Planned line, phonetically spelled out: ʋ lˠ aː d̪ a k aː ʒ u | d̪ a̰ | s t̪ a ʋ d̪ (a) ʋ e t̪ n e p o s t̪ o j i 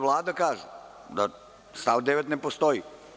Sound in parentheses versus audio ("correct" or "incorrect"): incorrect